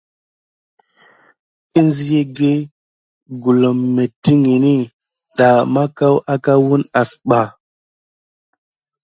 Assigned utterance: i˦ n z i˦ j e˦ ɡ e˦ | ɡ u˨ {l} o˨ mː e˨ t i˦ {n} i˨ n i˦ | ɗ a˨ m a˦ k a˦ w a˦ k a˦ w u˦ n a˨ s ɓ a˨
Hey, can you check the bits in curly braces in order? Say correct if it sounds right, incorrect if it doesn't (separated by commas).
correct, incorrect